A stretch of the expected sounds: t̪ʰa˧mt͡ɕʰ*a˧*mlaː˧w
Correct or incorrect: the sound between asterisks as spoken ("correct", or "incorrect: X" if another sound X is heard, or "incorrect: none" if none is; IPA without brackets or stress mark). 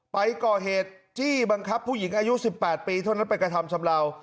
correct